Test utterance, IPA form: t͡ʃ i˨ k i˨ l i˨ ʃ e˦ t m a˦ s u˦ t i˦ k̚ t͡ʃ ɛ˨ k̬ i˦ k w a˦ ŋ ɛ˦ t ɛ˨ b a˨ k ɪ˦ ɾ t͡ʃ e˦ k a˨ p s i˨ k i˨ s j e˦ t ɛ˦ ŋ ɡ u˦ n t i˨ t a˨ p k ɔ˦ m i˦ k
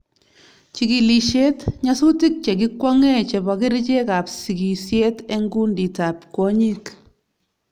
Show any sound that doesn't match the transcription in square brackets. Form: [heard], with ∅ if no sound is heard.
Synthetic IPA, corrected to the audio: t͡ʃ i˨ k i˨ l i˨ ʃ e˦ t [ɲ] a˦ s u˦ t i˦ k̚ t͡ʃ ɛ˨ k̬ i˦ k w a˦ ŋ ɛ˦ [t͡ʃ] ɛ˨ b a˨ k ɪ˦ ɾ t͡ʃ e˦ k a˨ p s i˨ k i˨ s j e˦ t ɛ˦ ŋ ɡ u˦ n [d] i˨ t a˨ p k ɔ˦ [ɲ] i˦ k